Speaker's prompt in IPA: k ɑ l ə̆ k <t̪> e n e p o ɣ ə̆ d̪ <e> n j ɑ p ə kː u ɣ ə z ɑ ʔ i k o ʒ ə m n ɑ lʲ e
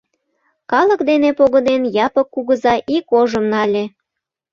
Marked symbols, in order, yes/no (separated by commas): no, yes